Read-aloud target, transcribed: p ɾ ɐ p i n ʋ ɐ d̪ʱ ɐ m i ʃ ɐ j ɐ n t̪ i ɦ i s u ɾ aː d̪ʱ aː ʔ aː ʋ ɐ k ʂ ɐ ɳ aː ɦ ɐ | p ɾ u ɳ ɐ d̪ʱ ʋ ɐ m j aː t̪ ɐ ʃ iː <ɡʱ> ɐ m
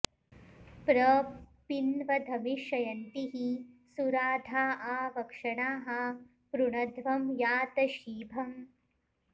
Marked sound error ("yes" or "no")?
yes